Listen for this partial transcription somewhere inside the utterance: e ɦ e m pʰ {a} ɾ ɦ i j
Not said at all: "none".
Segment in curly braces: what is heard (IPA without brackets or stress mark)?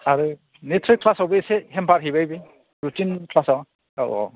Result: a